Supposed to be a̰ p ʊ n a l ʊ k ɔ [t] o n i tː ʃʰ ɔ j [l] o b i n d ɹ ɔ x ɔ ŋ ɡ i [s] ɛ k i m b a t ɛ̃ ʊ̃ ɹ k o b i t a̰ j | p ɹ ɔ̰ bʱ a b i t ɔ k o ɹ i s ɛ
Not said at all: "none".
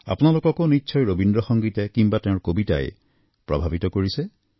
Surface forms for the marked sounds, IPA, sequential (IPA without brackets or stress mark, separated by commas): k, ɹ, t